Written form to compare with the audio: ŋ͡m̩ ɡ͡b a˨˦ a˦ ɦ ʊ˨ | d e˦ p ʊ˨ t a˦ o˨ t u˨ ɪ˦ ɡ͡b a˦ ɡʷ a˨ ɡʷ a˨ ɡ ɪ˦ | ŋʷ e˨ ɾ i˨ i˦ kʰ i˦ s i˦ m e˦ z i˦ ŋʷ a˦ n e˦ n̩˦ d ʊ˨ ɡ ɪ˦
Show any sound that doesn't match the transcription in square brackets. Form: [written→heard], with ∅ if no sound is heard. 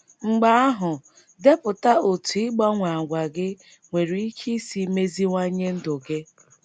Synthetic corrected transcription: ŋ͡m̩ ɡ͡b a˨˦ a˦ ɦ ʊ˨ | d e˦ p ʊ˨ t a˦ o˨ t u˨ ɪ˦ ɡ͡b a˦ [ɡʷ→ŋʷ] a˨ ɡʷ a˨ ɡ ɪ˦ | ŋʷ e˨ ɾ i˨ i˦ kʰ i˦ s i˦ m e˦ z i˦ ŋʷ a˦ [n→ɲ] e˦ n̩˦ d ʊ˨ ɡ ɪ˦

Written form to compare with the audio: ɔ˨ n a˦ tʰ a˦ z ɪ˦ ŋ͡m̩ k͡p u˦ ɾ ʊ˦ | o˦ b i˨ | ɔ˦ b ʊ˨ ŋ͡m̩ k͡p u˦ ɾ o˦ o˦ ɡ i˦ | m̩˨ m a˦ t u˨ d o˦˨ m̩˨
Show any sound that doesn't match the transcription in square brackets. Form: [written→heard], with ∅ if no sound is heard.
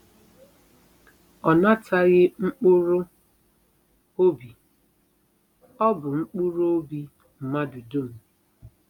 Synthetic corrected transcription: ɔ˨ n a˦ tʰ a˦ [z→ɣ] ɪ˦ ŋ͡m̩ k͡p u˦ ɾ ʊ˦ | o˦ b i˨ | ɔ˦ b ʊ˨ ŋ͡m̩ k͡p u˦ ɾ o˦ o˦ [ɡ→b] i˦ | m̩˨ m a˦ [t→d] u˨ d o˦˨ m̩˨

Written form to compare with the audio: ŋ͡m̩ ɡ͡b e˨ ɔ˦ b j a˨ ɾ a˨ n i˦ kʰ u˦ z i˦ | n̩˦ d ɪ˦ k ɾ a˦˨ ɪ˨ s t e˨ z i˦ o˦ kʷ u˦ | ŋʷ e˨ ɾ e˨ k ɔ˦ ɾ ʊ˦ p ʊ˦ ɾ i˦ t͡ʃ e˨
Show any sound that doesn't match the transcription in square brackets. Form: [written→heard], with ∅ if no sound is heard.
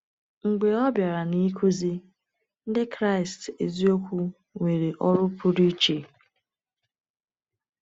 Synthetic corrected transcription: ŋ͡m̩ ɡ͡b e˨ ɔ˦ b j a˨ ɾ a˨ n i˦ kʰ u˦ z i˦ | n̩˦ d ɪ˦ k ɾ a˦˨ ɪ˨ s t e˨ z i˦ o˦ kʷ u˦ | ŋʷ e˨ ɾ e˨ [k→ʔ] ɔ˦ ɾ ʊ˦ p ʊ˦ ɾ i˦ t͡ʃ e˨

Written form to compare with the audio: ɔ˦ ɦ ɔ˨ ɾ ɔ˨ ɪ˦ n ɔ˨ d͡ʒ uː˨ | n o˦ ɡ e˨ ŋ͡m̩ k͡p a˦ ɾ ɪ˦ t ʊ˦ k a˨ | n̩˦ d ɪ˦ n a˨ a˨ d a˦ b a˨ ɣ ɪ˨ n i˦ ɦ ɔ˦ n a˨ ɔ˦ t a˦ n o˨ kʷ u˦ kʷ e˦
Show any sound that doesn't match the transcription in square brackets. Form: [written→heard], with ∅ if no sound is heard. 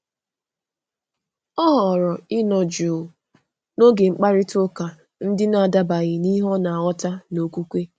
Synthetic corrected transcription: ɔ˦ ɦ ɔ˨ ɾ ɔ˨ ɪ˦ n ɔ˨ d͡ʒ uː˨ | n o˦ ɡ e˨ ŋ͡m̩ k͡p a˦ ɾ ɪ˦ t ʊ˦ k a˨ | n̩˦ d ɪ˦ n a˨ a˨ d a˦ b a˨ ɣ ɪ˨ n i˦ ɦ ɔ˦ n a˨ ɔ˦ t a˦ n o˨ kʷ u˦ kʷ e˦

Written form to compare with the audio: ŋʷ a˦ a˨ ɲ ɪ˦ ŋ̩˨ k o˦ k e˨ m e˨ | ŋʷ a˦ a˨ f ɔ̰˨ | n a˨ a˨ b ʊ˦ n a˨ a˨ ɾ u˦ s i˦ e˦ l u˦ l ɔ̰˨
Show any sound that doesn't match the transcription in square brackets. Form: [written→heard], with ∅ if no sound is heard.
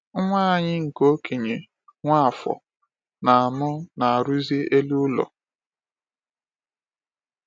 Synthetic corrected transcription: ŋʷ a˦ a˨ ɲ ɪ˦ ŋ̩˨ k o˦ k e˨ [m→ɲ] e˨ | ŋʷ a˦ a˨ f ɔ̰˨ | n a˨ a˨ [b→m] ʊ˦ n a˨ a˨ ɾ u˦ [s→z] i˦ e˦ l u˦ l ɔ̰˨

